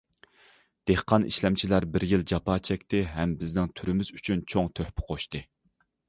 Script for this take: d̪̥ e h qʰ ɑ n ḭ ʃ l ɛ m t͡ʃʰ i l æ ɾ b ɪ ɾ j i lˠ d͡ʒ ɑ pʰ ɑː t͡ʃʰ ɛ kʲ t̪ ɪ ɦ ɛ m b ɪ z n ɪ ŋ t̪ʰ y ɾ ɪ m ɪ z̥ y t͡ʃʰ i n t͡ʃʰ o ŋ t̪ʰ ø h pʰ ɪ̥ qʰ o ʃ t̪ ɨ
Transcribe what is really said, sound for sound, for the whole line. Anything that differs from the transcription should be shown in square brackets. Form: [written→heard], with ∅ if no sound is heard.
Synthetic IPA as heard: d̪̥ e h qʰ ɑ n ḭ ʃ l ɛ m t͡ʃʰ i l æ ɾ b ɪ ɾ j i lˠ d͡ʒ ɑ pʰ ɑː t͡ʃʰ ɛ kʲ t̪ ɪ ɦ ɛ m b ɪ z n ɪ ŋ t̪ʰ y ɾ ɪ m ɪ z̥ y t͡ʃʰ [i→y] n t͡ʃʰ o ŋ t̪ʰ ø h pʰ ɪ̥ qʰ o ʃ t̪ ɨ